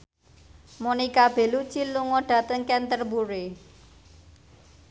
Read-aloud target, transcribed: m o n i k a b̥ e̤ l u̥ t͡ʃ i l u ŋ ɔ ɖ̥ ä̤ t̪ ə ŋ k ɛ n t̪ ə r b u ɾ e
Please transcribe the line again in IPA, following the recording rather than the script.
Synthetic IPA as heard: m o n i k a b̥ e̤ l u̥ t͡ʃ i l u ŋ ɔ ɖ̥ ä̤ t̪ ə ŋ k ɛ n t̪ ə r b u ɾ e